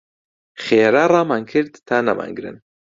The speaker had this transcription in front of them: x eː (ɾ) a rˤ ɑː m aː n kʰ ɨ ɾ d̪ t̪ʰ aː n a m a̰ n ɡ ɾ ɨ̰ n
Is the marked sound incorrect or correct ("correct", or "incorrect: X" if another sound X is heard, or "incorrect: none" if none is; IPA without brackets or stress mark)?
correct